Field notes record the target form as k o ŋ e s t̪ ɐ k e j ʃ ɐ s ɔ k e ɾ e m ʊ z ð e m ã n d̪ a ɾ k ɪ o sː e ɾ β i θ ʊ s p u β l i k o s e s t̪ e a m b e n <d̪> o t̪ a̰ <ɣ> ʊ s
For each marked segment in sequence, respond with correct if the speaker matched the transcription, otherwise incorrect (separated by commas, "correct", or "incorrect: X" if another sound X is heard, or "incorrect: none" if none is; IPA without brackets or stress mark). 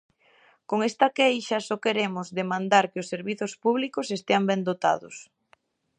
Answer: correct, incorrect: ð